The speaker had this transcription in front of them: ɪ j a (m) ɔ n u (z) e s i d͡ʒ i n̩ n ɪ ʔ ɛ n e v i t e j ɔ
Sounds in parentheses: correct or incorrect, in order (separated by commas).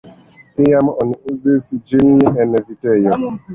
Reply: correct, correct